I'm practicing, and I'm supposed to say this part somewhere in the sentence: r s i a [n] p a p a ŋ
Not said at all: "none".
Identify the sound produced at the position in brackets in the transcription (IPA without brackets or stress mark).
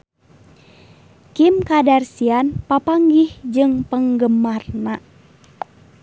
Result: n